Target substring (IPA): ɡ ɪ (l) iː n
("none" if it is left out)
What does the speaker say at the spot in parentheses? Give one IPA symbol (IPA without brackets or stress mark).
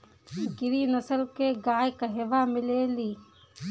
ɾ